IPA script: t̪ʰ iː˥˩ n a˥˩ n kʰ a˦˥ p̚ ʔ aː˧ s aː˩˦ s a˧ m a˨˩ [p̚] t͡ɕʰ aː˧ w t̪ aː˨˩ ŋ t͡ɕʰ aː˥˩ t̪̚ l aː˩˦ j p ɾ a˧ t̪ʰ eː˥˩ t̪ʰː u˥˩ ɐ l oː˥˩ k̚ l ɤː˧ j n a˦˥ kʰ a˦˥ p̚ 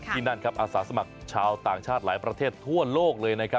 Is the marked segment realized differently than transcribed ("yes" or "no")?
yes